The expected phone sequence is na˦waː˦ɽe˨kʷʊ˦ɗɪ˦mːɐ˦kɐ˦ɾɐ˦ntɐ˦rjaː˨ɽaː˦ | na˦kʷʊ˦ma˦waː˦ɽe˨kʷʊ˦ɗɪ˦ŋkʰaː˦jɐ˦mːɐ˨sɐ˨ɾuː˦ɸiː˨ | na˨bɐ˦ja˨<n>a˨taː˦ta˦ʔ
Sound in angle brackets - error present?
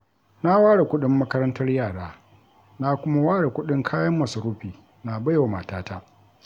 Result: yes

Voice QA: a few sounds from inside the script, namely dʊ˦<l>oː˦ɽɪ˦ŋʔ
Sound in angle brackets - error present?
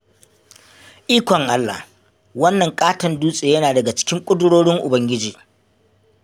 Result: yes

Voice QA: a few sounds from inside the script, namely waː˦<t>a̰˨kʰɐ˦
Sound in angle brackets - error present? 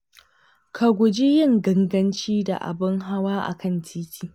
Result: yes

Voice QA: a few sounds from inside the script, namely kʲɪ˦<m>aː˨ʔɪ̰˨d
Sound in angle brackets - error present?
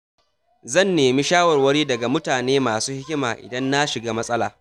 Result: no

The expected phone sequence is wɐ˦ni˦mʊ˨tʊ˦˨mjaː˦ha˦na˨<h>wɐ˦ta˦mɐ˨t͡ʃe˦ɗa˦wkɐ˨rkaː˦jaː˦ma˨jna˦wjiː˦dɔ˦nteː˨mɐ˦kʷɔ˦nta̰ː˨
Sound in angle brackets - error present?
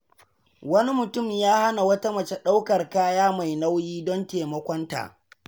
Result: yes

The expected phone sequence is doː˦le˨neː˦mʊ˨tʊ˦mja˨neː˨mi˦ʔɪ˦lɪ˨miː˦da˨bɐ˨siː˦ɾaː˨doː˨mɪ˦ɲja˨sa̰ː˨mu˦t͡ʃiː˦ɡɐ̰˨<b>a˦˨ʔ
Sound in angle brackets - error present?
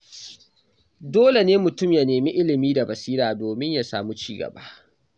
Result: no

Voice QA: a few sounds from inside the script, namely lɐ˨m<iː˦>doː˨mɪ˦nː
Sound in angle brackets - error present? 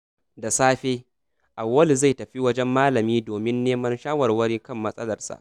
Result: no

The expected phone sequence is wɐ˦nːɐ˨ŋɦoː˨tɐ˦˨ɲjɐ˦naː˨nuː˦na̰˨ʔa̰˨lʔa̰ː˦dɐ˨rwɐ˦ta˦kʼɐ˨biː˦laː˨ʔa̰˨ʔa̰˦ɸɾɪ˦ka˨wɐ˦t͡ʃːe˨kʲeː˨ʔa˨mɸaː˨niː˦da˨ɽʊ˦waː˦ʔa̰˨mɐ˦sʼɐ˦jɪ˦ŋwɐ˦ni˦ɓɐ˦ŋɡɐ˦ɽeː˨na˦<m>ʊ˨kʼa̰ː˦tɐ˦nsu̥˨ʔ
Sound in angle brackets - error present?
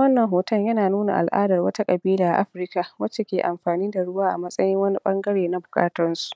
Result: yes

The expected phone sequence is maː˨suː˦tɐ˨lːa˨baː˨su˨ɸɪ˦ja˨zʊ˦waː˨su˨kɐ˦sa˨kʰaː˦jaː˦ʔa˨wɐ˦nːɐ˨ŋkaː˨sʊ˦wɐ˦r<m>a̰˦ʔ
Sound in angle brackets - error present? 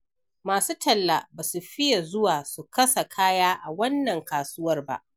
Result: yes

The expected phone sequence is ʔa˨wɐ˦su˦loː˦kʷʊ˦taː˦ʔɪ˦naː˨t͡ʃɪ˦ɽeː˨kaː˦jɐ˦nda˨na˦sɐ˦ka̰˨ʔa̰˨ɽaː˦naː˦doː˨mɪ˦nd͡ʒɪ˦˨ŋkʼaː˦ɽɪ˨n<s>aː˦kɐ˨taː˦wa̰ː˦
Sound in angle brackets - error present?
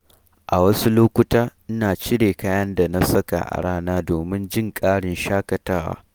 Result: yes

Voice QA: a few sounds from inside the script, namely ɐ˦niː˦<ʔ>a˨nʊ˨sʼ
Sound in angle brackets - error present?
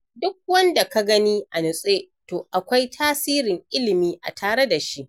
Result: no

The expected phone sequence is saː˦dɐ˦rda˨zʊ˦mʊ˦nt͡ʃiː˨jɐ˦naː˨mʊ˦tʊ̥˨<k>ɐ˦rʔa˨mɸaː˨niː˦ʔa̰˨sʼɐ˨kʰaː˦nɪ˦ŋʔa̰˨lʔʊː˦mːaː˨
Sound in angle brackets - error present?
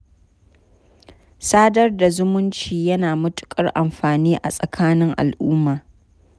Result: yes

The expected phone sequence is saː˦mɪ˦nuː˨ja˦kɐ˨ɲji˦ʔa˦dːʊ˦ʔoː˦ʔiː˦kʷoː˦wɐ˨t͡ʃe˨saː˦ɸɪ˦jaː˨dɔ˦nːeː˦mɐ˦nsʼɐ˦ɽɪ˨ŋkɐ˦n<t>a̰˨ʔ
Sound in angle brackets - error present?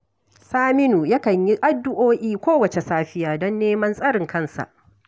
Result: yes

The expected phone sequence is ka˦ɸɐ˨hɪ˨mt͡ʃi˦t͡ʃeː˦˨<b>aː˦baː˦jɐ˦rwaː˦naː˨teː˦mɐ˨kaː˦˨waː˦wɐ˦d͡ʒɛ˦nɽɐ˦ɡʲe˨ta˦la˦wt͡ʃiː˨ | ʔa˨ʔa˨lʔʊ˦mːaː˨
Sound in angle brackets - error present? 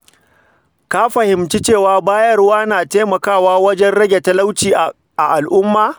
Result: yes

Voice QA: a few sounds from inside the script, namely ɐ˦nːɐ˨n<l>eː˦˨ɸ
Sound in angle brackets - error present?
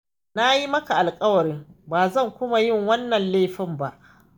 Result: no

